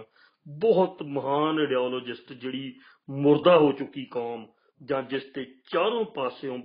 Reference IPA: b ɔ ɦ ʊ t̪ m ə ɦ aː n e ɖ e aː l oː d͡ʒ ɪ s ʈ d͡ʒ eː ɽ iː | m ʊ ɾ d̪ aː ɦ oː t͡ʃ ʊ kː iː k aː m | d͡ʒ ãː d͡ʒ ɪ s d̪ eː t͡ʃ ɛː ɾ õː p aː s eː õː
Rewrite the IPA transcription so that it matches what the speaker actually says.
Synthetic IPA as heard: b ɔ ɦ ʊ t̪ m ə ɦ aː n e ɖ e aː l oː d͡ʒ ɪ s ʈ d͡ʒ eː ɽ iː | m ʊ ɾ d̪ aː ɦ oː t͡ʃ ʊ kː iː k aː m | d͡ʒ ãː d͡ʒ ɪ s t̪ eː t͡ʃ aː ɾ õː p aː s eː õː